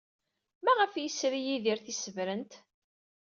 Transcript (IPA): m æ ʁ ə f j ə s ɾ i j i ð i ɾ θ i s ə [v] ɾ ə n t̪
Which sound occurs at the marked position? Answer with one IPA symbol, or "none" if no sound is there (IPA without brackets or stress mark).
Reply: v